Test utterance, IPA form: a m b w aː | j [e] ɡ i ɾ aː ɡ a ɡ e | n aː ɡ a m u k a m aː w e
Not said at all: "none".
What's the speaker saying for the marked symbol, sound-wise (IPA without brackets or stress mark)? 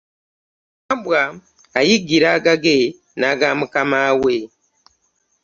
i